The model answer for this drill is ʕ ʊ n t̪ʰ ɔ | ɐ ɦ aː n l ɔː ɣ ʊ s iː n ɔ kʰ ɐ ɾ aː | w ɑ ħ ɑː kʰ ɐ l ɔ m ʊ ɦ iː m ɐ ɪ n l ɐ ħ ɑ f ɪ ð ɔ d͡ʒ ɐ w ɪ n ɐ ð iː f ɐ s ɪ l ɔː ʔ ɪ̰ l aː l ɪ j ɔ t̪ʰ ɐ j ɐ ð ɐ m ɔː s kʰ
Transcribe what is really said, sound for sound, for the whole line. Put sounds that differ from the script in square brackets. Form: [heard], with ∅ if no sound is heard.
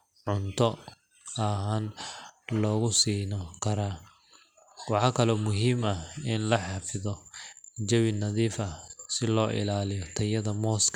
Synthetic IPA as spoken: ʕ ʊ n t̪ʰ ɔ | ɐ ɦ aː n l ɔː ɣ ʊ s iː n ɔ kʰ ɐ ɾ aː | w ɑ ħ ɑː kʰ ɐ l ɔ m ʊ ɦ iː m ɐ ɪ n l ɐ ħ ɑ f ɪ ð ɔ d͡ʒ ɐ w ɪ n ɐ ð iː f ɐ s ɪ l ɔː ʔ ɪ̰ l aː l ɪ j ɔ t̪ʰ ɐ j ɐ ð ɐ m ɔː s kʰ